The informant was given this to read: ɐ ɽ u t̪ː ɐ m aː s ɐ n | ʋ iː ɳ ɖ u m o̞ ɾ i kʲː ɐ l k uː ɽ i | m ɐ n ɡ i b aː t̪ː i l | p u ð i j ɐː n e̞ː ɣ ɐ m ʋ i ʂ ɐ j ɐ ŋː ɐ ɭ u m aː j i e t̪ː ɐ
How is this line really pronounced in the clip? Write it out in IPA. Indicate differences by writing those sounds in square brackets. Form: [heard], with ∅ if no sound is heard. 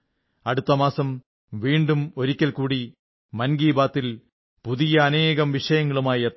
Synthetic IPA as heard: ɐ ɽ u t̪ː ɐ m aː s ɐ [m] | ʋ iː ɳ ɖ u m o̞ ɾ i kʲː ɐ l k uː ɽ i | m ɐ n ɡ [iː] b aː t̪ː i l | p u ð i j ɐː n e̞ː ɣ ɐ m ʋ i ʂ ɐ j ɐ ŋː ɐ ɭ u m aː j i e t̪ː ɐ